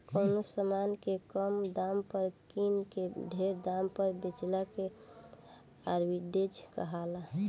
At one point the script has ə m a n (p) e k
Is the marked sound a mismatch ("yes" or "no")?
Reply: yes